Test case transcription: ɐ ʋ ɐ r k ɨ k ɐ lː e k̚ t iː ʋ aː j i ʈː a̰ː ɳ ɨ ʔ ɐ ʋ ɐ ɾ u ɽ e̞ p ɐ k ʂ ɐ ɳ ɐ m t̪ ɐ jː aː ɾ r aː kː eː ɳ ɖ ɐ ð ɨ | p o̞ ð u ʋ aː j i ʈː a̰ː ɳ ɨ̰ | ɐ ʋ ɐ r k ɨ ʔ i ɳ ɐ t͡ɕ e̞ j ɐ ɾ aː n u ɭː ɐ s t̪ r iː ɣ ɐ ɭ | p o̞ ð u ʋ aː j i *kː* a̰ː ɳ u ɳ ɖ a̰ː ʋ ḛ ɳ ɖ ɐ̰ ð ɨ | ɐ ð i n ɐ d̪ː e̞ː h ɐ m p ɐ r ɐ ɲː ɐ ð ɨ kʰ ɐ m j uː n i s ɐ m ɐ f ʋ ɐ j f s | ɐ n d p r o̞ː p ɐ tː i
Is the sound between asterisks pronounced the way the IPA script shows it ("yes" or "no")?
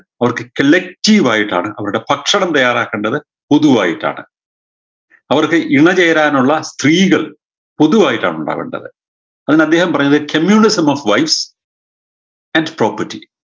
no